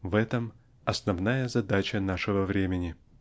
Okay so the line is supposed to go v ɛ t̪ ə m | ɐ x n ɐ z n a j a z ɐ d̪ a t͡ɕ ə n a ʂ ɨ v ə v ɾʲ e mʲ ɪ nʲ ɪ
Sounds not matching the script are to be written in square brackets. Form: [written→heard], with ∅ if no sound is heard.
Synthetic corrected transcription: v ɛ t̪ ə m | ɐ [x→s] n ɐ [z→v] n a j [a→ə] z ɐ d̪ a t͡ɕ ə n a ʂ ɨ v ə v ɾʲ e mʲ ɪ nʲ ɪ